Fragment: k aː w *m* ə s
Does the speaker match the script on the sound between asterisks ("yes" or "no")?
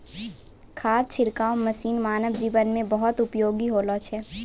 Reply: yes